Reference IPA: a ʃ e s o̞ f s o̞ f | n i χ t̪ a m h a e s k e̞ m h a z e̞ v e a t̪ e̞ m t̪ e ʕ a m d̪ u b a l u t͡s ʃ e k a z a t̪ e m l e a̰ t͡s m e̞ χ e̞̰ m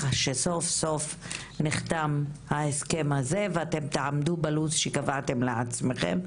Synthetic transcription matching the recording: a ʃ e s o̞ f s o̞ f | n i χ t̪ a m h a e s k e̞ m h a z e̞ v e a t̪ e̞ m t̪ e ʕ a m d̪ u b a l u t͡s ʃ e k a v a t̪ e m l e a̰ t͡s m e̞ χ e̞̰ m